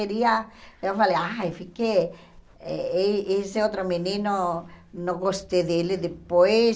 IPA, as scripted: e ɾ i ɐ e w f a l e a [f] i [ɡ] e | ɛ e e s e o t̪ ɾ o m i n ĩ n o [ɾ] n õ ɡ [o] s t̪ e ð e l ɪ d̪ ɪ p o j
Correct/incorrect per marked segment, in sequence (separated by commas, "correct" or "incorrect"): correct, incorrect, incorrect, correct